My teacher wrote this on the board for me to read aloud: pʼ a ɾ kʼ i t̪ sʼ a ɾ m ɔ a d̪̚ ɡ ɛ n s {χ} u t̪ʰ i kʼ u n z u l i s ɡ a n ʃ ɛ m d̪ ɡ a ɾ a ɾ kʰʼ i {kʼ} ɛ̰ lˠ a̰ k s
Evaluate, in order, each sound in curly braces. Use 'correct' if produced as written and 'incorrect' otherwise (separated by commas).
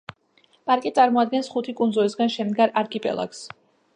correct, incorrect